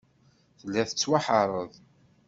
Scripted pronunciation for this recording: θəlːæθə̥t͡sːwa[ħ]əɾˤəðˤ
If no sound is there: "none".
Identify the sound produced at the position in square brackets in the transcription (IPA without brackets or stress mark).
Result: ħ